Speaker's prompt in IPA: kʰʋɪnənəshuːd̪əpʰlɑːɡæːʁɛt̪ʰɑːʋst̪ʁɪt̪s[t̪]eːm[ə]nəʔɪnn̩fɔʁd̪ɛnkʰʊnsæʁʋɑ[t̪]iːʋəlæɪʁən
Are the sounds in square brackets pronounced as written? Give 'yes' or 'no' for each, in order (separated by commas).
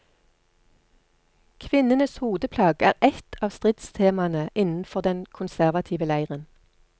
no, no, no